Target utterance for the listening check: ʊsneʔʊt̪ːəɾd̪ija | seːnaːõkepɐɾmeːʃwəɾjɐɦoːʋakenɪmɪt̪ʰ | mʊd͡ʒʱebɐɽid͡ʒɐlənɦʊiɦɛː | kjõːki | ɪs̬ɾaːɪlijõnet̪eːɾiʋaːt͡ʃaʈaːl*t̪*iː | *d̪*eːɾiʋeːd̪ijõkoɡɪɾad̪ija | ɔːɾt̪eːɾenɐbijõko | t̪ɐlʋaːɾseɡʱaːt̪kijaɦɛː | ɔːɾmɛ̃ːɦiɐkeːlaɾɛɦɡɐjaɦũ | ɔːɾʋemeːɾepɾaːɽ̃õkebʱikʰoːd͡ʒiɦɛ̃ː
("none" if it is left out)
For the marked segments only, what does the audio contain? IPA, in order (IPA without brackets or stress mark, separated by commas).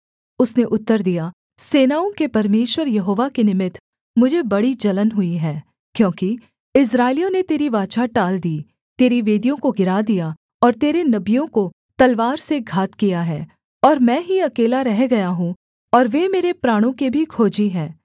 d̪, t̪